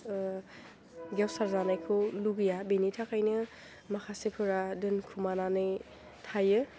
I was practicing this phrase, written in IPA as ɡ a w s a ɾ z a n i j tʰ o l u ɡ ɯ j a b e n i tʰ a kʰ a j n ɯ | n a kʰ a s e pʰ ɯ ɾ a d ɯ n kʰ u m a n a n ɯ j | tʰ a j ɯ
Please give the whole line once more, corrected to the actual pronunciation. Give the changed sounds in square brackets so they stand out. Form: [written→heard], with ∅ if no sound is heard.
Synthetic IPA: ɡ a w s a ɾ z a n [i→a] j [tʰ→kʰ] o l u ɡ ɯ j a b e n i tʰ a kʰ a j n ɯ | [n→m] a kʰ a s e pʰ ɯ ɾ a d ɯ n kʰ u m a n a n ɯ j | tʰ a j ɯ